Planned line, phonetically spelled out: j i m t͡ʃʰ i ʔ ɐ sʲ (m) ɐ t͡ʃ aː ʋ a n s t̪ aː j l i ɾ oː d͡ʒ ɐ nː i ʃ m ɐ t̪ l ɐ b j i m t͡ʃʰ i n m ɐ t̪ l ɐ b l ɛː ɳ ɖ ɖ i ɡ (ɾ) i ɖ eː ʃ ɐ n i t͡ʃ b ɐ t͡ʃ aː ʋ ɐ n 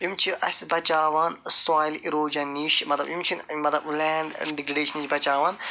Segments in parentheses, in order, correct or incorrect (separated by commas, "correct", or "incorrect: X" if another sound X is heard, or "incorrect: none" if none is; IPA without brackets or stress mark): incorrect: b, correct